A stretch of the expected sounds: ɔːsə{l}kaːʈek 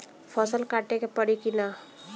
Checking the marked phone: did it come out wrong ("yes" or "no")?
no